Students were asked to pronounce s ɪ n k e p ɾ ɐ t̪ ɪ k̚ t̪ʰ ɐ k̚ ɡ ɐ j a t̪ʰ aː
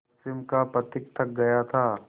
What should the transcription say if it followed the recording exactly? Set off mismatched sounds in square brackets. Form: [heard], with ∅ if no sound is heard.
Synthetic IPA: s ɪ [m] k [a] p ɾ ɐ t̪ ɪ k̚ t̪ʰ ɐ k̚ ɡ ɐ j a t̪ʰ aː

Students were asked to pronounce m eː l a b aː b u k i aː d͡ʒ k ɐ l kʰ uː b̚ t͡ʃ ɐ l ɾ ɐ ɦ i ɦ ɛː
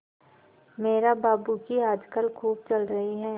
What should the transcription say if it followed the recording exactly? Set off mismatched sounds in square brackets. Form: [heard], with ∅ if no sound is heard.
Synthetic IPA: m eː [ɾ] a b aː b u k i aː d͡ʒ k [ə] l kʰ uː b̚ t͡ʃ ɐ l ɾ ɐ ɦ i ɦ ɛː

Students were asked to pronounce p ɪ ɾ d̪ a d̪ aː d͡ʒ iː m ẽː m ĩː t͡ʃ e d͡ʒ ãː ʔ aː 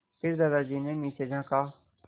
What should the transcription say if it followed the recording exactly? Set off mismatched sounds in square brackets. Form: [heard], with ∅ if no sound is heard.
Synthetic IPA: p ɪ ɾ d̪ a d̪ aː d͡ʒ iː [n] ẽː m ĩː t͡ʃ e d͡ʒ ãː [k] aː

